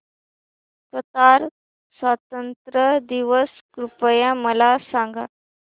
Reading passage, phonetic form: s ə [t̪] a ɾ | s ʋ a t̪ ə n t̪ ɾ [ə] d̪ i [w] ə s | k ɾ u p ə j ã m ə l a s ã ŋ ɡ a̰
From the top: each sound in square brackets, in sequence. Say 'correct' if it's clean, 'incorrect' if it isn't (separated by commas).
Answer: correct, correct, incorrect